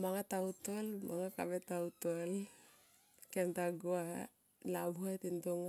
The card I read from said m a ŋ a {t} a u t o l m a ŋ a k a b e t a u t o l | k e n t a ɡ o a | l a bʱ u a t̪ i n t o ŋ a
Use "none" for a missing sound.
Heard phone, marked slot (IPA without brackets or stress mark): t